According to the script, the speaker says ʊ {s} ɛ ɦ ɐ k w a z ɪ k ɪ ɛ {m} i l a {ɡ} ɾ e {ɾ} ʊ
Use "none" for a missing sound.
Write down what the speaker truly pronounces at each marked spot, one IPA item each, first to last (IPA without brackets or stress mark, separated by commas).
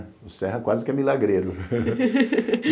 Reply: s, m, ɡ, ɾ